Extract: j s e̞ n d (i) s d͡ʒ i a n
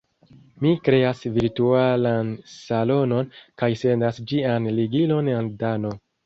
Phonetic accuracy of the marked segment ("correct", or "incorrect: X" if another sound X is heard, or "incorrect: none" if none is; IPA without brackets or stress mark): incorrect: a